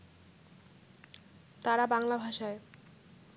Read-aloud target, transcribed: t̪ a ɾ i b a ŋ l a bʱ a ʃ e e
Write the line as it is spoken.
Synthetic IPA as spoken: t̪ a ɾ a b a ŋ l a bʱ a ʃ a e